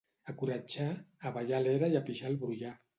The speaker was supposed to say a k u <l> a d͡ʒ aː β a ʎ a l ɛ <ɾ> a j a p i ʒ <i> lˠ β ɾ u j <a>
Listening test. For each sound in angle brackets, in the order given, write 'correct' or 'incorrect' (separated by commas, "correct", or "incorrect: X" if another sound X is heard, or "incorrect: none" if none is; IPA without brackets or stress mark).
incorrect: ɾ, correct, incorrect: a, correct